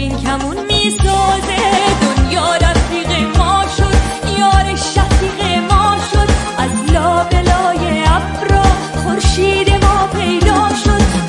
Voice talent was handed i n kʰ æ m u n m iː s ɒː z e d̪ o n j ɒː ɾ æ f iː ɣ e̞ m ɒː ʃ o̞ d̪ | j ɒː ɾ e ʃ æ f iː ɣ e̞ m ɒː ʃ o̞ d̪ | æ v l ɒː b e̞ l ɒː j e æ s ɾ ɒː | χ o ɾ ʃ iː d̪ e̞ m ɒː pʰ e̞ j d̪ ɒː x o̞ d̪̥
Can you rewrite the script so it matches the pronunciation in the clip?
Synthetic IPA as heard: i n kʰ æ m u n m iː s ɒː z e d̪ o n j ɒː ɾ æ f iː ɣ e̞ m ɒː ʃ o̞ d̪ | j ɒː ɾ e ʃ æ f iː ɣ e̞ m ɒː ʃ o̞ d̪ | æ z l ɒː b e̞ l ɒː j e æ f ɾ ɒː | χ o ɾ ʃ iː d̪ e̞ m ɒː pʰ e̞ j d̪ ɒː ʃ o̞ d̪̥